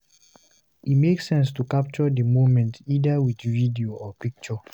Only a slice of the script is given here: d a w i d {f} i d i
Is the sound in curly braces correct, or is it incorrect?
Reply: incorrect